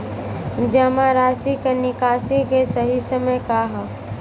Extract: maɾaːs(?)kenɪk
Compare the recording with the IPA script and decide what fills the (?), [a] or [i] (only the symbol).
i